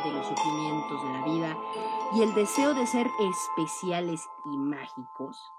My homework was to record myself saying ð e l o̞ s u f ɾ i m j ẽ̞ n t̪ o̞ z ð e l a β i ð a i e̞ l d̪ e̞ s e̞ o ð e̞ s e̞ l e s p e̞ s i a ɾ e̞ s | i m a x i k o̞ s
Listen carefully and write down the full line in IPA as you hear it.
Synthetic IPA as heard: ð e l o̞ s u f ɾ i m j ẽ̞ n t̪ o̞ z ð e l a β i ð a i e̞ l d̪ e̞ s e̞ o ð e̞ s e̞ ɾ e s p e̞ s j a l e̞ s | i m a x i k o̞ s